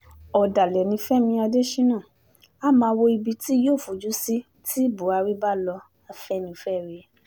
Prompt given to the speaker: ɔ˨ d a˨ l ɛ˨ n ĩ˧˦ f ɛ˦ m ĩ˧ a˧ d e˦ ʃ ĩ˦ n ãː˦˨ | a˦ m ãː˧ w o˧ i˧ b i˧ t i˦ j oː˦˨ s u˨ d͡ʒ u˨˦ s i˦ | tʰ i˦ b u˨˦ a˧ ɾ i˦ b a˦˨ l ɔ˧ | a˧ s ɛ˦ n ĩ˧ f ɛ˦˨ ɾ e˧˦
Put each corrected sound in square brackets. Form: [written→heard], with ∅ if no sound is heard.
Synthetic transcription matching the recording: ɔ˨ d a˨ l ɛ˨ n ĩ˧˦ f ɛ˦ m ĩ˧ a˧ d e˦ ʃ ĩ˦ n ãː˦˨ | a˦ m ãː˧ w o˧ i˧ b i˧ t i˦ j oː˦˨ [s→f] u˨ d͡ʒ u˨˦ s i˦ | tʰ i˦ b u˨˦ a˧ ɾ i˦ b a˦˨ l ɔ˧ | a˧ [s→f] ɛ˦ n ĩ˧ f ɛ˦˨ ɾ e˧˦

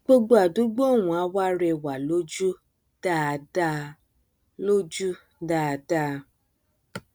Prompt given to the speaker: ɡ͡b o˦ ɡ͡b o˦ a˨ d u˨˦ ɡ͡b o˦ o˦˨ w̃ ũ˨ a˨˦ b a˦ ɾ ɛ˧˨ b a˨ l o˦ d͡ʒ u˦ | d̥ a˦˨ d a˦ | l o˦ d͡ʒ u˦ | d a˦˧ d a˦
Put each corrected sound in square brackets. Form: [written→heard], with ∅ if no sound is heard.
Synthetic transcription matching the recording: ɡ͡b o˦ ɡ͡b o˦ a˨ d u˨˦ ɡ͡b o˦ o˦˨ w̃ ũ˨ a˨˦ [b→w] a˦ ɾ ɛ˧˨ [b→w] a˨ l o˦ d͡ʒ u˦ | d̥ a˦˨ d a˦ | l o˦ d͡ʒ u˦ | d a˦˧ d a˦

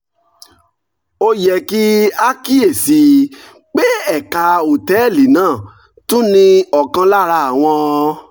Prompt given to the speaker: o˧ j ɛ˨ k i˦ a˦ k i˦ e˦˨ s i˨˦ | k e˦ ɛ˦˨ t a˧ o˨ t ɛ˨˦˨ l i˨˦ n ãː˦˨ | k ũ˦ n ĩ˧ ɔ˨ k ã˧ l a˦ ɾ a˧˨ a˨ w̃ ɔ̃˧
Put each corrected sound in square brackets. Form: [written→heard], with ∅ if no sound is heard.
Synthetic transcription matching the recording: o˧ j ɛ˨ k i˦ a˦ k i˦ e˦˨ s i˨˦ | [k→k͡p] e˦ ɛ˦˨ [t→k] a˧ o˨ t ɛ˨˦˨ l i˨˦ n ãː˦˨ | [k→t] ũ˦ n ĩ˧ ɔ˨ k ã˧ l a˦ ɾ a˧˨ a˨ w̃ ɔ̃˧

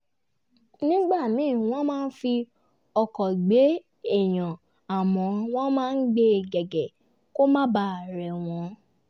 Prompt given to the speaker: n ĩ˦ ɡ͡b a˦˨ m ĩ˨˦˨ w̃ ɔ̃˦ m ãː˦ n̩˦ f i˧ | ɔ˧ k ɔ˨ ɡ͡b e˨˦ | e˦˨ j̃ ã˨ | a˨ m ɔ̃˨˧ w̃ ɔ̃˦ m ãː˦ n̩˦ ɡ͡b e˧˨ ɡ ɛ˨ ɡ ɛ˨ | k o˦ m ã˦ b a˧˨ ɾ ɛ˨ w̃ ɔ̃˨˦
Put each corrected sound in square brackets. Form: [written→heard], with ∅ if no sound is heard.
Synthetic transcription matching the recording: n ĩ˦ ɡ͡b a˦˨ m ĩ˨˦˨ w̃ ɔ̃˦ m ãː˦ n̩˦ f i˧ | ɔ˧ k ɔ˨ ɡ͡b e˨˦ | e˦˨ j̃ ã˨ | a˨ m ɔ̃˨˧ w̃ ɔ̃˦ m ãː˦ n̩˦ ɡ͡b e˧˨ ɡ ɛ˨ ɡ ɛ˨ | k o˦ m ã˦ b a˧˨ ɾ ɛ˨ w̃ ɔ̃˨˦

